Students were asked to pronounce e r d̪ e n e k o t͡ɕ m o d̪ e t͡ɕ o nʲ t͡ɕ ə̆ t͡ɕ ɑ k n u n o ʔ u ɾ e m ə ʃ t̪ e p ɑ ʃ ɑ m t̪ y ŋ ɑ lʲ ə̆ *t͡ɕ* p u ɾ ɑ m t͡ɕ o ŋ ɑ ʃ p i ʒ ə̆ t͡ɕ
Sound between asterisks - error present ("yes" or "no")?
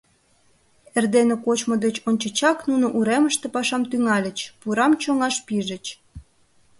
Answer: no